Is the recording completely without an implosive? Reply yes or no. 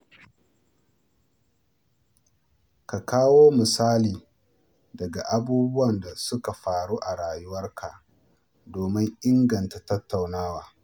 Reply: yes